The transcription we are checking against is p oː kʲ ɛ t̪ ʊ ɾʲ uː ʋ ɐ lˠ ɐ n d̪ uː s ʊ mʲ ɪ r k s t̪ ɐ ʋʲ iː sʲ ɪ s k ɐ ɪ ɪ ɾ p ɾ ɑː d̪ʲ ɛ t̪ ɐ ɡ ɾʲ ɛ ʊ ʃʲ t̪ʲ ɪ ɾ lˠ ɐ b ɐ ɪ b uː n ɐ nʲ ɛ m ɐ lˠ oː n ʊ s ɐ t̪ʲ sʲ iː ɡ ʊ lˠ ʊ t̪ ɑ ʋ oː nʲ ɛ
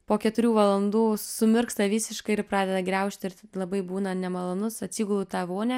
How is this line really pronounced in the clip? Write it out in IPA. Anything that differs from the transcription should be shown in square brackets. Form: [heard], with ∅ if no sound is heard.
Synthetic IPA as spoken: p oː kʲ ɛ t̪ ʊ ɾʲ uː ʋ ɐ lˠ ɐ n d̪ uː s ʊ mʲ ɪ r k s t̪ ɐ ʋʲ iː sʲ ɪ [ʃ] k ɐ ɪ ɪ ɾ p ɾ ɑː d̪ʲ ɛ [d̪] ɐ ɡ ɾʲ ɛ ʊ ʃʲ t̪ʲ ɪ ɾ lˠ ɐ b ɐ ɪ b uː n ɐ nʲ ɛ m ɐ lˠ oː n ʊ s ɐ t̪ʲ sʲ iː ɡ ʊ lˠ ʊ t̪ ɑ ʋ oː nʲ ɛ